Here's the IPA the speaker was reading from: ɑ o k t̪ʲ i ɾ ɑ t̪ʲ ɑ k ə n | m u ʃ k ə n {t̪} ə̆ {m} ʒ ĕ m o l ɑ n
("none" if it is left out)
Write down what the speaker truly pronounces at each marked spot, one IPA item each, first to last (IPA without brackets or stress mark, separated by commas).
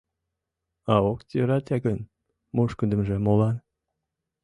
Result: d̪, m